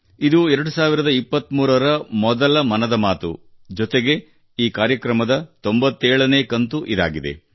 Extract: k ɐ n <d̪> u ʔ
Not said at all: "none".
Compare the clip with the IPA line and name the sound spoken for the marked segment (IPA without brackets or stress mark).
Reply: t̪